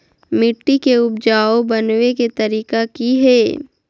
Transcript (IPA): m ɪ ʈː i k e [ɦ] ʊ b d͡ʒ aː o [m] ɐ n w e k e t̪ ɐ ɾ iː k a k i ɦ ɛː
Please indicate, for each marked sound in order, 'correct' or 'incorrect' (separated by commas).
incorrect, incorrect